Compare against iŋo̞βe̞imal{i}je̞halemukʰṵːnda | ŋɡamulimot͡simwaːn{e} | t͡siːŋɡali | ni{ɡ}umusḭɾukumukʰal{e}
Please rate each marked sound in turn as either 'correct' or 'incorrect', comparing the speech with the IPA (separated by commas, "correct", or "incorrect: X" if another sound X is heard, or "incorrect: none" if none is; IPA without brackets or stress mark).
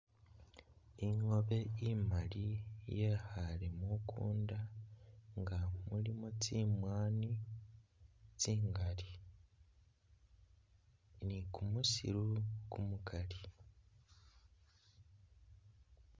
correct, incorrect: i, incorrect: k, incorrect: i